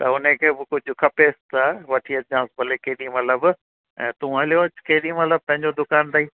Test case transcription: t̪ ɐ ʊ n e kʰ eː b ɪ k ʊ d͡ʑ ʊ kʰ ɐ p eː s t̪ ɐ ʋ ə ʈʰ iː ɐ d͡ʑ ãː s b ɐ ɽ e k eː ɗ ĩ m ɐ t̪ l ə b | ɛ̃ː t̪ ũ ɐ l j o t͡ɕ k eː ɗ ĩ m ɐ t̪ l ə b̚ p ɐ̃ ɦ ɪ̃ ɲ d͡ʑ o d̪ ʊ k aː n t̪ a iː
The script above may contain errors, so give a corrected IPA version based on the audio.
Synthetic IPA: t̪ ɐ ʊ n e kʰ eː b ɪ k ʊ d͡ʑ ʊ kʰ ɐ p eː s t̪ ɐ ʋ ɐ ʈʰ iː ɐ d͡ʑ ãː s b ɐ l e k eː ɗ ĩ m ɐ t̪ l ə b | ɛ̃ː t̪ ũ ɐ l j o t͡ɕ k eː ɗ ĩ m ɐ t̪ l ə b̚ p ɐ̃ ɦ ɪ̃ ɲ d͡ʑ o d̪ ʊ k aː n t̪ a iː